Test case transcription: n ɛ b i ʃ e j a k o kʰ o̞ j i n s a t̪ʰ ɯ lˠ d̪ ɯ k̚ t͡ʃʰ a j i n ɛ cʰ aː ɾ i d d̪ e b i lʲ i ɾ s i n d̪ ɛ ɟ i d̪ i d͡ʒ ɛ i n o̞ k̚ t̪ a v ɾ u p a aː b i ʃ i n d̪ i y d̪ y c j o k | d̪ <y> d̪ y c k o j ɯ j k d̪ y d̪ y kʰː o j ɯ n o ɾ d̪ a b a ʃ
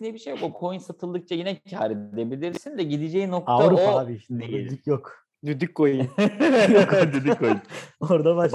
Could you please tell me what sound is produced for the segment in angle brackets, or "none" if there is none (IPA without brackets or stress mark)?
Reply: y